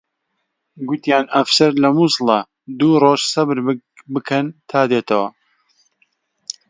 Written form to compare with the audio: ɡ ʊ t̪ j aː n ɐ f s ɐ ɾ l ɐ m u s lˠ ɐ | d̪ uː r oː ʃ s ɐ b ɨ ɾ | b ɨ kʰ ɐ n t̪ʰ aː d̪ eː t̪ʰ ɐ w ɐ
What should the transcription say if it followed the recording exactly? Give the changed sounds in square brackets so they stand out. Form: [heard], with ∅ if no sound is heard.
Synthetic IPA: ɡ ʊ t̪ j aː n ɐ f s ɐ ɾ l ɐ m u s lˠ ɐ | d̪ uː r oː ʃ s ɐ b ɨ ɾ | b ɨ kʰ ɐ n t̪ʰ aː d̪ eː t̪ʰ ɐ w ɐ